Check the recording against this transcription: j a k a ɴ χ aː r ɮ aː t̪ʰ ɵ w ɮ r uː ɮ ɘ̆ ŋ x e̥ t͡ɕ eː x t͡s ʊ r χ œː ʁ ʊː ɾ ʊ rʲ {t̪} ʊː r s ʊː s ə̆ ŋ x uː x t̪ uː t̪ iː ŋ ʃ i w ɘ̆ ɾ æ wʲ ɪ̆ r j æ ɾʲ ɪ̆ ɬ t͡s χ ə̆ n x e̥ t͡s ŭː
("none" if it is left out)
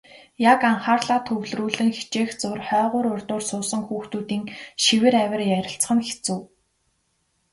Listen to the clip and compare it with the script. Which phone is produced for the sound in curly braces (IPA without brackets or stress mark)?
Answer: t̪